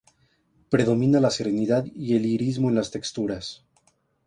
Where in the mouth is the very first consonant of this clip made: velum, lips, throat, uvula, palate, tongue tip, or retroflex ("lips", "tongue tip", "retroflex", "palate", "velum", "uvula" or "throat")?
lips